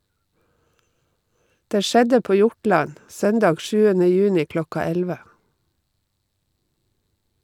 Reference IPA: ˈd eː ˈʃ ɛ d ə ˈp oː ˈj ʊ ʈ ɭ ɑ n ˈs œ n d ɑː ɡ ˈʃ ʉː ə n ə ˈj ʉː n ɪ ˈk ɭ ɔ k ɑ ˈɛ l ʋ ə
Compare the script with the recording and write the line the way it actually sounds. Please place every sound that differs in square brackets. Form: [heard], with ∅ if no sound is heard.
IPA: ˈd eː ˈʃ ɛ d ə ˈp oː ˈj ʊ ʈ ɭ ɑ n ˈs œ n d ɑː ɡ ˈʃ ʉː ə n ə ˈj ʉː n ɪ ˈk [l] ɔ k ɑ ˈɛ l ʋ ə